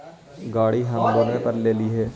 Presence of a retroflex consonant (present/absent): present